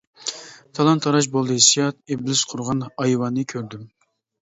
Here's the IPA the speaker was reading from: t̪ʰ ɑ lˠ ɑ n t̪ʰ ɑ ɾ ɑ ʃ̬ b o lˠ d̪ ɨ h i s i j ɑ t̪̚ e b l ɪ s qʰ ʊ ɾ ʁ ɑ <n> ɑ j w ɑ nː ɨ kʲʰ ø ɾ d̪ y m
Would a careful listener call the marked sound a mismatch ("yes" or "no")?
no